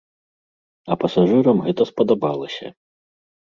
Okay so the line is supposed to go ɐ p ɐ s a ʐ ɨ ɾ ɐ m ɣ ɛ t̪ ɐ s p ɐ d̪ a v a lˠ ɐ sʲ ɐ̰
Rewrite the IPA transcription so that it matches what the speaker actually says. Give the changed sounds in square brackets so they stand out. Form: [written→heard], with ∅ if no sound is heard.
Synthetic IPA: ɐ p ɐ s a ʐ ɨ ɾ ɐ m ɣ ɛ t̪ ɐ s p ɐ d̪ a [v→b] a lˠ ɐ sʲ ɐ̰